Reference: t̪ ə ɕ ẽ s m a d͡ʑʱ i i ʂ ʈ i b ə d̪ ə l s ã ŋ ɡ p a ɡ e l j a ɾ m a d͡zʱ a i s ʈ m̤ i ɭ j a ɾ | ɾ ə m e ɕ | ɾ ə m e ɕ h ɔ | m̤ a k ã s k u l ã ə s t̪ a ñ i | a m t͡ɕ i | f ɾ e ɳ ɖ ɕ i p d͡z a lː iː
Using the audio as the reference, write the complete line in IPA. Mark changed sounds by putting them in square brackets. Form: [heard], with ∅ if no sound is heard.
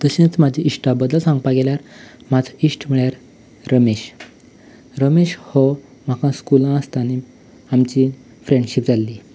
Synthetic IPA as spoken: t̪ ə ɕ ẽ [t͡s] m a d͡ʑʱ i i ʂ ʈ [a] b ə d̪ ə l s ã ŋ ɡ p a ɡ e l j a ɾ m a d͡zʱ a i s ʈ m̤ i ɭ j a ɾ | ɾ ə m e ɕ | ɾ ə m e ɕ h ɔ | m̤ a k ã s k u l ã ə s t̪ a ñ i | a m t͡ɕ i | f ɾ e ɳ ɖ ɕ i p d͡z a lː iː